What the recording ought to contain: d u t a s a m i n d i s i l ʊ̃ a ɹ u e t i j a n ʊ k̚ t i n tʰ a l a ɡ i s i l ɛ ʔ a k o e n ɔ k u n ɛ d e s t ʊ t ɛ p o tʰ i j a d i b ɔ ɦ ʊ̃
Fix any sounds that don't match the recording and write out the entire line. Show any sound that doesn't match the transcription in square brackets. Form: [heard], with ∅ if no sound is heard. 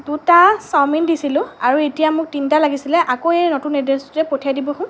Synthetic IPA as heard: d u t a s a m i n d i s i l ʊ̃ a ɹ u e t i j a [m] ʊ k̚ t i n [t] a l a ɡ i s i l ɛ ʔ a k o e n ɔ [t] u n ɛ d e s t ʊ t ɛ p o tʰ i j a d i b ɔ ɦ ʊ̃